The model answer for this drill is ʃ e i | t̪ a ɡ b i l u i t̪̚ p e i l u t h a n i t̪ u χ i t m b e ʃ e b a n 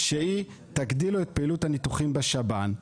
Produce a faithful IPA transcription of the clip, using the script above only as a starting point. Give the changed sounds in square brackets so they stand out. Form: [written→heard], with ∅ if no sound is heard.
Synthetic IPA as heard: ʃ e i | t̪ a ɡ [b→d] i l u [i→e] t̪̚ p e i l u t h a n i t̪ u χ i [t→∅] m b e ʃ [e→a] b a n